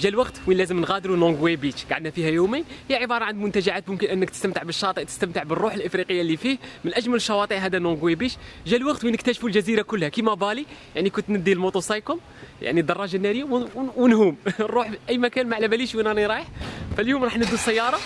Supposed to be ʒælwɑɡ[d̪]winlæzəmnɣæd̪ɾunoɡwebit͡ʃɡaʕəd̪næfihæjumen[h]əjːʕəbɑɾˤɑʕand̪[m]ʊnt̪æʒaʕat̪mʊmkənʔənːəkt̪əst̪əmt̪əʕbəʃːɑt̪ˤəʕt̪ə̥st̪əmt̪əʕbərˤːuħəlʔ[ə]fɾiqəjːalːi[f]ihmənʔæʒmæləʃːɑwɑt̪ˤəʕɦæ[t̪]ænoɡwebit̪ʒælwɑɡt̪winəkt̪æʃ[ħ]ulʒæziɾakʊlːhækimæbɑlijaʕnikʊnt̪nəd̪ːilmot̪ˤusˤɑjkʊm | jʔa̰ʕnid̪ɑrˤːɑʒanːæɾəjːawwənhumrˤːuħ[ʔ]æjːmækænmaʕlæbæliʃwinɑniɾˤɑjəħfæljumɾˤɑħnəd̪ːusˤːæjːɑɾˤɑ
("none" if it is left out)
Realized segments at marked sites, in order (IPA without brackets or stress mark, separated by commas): t̪, h, m, ə, f, d̪, f, ʔ